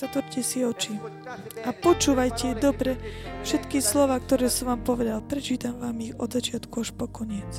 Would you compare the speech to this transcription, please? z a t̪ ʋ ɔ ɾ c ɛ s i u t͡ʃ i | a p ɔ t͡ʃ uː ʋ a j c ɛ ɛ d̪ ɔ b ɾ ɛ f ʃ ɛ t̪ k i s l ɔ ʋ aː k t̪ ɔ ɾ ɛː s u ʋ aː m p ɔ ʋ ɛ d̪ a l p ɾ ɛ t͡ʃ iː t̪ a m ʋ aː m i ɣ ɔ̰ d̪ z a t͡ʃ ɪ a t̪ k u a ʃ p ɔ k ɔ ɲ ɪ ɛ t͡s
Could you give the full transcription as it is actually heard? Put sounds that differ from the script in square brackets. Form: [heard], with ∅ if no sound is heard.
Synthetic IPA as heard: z a t̪ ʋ ɔ ɾ c ɛ s i [ɔ] t͡ʃ i | a p ɔ t͡ʃ uː ʋ a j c ɛ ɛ d̪ ɔ b ɾ ɛ f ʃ ɛ t̪ k i s l ɔ ʋ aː k t̪ ɔ ɾ ɛː s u ʋ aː m p ɔ ʋ ɛ d̪ a l p ɾ ɛ t͡ʃ iː t̪ a m ʋ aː m i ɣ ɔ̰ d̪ z a t͡ʃ ɪ a t̪ k u a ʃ p ɔ k ɔ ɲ ɪ ɛ t͡s